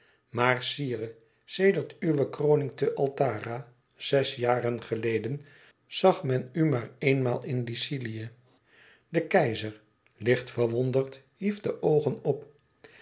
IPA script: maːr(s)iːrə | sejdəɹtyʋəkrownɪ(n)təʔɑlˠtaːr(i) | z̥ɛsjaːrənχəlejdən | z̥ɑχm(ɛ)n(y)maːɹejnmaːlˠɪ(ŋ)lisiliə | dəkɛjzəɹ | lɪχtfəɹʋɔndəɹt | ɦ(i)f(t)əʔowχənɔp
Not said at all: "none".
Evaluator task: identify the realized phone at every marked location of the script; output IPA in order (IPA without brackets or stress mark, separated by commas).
s, ŋ, a, ɛ, y, n, i, d